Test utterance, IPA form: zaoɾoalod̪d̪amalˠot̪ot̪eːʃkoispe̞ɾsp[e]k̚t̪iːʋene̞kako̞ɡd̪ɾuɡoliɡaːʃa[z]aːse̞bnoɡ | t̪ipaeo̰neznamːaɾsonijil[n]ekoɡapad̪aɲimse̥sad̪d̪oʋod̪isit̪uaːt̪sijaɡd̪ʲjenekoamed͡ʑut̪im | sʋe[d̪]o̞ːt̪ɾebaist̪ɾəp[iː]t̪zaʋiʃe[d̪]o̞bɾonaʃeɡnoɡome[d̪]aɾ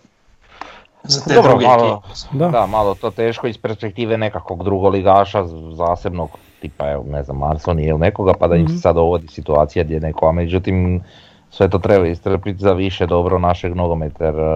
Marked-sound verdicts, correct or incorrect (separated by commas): correct, correct, correct, incorrect, incorrect, correct, incorrect